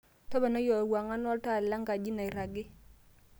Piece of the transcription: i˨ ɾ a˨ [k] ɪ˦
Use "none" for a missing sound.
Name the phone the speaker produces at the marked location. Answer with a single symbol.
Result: ɡ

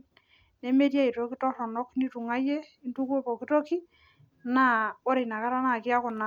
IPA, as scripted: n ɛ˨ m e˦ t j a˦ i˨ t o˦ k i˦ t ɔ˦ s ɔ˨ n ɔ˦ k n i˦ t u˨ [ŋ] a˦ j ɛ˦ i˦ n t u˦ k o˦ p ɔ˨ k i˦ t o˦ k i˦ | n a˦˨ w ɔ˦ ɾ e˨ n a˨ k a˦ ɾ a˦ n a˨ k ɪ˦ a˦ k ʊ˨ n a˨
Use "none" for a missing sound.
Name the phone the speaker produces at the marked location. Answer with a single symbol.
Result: ŋ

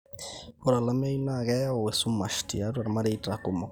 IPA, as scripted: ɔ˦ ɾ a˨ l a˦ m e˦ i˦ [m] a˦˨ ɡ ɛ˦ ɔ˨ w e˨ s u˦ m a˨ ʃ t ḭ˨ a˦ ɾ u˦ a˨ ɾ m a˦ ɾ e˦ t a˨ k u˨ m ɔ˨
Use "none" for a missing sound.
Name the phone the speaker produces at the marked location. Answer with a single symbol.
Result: n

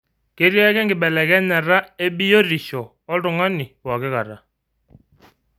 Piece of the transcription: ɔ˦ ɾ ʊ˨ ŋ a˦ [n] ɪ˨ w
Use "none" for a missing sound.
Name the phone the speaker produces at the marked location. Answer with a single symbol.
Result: n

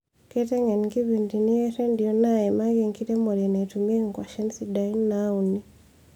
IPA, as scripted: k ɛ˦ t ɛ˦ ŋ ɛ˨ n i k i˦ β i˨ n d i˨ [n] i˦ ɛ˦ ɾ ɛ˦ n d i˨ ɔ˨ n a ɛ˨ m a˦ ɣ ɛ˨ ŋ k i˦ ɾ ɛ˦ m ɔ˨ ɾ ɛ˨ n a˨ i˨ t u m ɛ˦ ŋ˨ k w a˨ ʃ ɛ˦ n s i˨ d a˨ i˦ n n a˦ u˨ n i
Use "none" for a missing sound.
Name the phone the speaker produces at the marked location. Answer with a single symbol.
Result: n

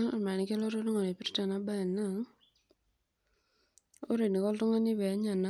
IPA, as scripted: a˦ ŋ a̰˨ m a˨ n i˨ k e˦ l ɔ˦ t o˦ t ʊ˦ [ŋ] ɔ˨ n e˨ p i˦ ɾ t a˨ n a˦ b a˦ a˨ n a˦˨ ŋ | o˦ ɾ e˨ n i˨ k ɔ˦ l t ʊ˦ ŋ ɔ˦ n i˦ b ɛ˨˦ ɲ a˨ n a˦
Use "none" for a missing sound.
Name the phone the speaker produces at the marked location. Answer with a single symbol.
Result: ŋ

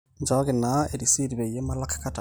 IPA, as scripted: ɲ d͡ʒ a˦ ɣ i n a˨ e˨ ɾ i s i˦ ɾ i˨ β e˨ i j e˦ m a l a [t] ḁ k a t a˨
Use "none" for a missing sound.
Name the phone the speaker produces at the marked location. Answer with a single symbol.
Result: k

